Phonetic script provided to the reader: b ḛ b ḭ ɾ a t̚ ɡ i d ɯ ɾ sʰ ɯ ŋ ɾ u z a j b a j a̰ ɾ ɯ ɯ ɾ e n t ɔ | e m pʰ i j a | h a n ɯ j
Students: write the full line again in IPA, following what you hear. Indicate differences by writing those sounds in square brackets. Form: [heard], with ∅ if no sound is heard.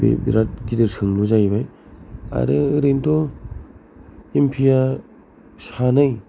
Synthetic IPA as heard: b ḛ b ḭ ɾ a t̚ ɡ i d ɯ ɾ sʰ ɯ ŋ [l] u z a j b a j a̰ ɾ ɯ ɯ ɾ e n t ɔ | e m pʰ i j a | [s] a n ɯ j